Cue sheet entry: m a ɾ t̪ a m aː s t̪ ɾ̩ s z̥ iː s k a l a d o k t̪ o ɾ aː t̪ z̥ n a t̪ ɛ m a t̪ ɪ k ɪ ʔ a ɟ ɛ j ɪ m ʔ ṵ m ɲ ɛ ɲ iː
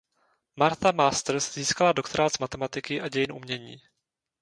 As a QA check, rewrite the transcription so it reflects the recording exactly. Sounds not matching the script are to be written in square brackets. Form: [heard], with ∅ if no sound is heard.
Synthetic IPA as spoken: m a ɾ t̪ a m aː s t̪ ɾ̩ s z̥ iː s k a l a d o k t̪ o ɾ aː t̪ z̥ [m] a t̪ ɛ m a t̪ ɪ k ɪ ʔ a ɟ ɛ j ɪ [n] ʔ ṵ m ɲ ɛ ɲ iː